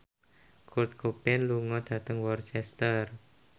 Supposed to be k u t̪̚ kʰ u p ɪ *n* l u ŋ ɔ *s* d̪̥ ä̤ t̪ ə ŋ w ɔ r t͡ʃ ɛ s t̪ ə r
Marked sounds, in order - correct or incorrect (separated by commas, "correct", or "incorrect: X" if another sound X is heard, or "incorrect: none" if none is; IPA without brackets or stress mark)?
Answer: correct, incorrect: none